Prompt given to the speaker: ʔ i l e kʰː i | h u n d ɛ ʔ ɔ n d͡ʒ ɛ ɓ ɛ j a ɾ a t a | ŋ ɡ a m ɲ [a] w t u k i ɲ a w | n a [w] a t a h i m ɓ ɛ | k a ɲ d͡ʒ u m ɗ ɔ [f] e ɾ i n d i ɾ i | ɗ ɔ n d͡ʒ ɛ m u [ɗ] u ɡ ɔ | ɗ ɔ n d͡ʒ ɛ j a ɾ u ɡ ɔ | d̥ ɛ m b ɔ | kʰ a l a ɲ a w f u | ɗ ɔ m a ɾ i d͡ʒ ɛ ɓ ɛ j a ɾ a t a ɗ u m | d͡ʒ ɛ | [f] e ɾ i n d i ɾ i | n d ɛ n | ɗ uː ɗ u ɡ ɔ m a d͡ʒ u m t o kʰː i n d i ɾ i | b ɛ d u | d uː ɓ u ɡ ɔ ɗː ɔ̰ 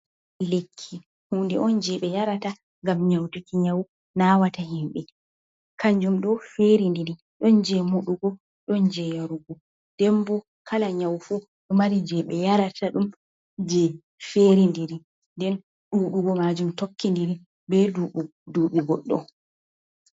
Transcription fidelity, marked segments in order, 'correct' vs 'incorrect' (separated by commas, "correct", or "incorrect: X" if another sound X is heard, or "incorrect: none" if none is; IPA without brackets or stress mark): correct, correct, correct, correct, correct